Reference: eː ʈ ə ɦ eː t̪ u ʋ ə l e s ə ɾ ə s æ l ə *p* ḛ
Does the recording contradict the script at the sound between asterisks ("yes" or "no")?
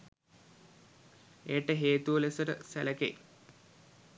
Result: yes